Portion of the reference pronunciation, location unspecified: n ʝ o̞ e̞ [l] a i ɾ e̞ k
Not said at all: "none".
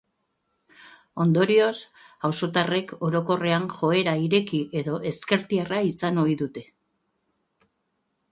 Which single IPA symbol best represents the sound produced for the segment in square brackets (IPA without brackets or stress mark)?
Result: ɾ